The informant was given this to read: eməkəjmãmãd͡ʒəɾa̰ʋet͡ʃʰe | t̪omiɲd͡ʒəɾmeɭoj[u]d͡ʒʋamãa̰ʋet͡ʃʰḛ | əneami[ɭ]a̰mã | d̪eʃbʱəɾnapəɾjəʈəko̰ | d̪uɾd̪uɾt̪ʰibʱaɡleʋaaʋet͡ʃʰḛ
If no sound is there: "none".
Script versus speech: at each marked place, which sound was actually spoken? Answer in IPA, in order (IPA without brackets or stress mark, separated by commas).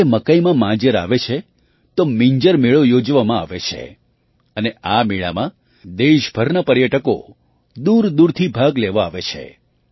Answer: o, ɭ